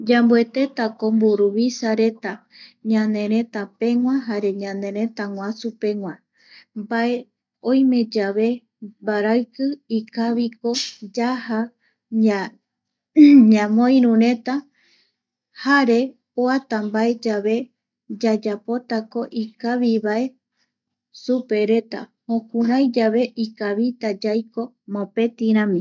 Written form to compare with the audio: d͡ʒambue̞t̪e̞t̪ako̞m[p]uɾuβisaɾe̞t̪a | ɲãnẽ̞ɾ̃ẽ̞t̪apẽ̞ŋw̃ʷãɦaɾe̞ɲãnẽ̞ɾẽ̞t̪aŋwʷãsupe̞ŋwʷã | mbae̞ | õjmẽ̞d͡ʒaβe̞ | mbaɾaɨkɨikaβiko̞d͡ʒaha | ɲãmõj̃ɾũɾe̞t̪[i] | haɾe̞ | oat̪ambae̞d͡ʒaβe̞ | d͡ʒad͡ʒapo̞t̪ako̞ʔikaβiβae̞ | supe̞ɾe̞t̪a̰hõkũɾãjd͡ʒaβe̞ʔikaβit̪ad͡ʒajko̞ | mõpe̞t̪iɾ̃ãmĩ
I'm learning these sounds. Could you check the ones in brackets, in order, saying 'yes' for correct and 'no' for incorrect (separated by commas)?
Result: no, no